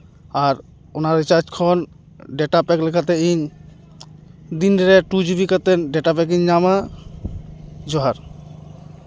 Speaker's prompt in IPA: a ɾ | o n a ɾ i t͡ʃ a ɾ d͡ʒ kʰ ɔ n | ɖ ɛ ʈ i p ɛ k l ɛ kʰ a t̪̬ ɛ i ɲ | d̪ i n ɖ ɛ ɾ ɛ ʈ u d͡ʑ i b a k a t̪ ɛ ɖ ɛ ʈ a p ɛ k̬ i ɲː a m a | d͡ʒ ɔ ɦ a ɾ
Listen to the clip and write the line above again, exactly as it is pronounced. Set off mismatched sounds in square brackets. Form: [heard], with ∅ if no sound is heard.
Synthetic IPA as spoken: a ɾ | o n a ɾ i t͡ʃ a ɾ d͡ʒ kʰ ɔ n | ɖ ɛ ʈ [a] p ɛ k l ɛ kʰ a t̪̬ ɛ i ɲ | d̪ i n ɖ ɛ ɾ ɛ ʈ u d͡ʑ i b [i] k a t̪ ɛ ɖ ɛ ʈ a p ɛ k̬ i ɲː a m a | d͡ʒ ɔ ɦ a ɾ